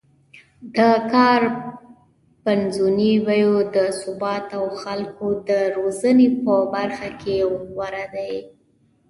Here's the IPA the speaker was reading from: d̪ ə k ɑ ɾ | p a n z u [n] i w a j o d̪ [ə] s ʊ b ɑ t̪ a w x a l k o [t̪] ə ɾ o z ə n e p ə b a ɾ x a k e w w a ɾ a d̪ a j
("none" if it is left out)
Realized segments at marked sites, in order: n, ə, d̪

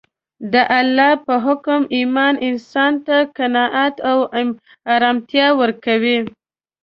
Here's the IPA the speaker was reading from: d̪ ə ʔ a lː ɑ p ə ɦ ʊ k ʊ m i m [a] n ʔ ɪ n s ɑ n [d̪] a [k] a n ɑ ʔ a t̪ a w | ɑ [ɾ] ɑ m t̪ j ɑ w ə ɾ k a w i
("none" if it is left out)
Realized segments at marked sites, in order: ɑ, t̪, k, ɾ

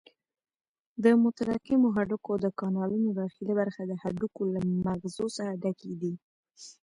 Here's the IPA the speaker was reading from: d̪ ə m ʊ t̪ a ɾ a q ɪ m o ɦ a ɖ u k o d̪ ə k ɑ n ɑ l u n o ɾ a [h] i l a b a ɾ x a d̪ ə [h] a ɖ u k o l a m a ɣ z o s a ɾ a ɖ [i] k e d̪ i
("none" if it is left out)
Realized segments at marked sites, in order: x, h, a

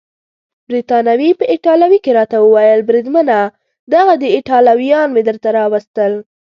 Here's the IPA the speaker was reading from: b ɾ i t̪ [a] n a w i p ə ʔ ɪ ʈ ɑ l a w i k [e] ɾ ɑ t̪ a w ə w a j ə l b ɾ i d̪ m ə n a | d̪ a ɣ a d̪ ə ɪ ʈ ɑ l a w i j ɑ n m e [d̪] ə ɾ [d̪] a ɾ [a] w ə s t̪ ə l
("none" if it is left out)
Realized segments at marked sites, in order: ɑ, e, d̪, t̪, ɑ

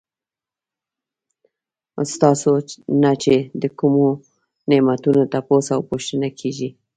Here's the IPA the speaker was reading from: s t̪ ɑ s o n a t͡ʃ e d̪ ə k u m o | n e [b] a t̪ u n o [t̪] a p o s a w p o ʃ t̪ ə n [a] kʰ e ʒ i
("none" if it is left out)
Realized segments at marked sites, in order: m, t̪, a

